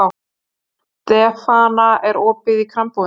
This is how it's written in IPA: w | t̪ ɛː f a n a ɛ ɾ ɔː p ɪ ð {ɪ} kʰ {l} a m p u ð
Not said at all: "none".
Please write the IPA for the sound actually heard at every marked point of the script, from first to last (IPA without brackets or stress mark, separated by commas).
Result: i, ɾ